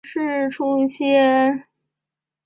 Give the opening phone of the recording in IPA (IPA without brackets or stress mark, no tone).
ʂ